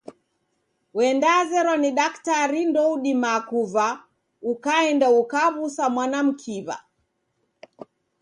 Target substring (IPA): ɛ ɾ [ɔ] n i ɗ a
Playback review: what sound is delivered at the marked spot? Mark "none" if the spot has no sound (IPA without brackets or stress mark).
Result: ɔ